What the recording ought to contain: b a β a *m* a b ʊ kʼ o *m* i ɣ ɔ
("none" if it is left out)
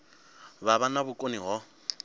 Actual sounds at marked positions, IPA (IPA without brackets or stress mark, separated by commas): n, n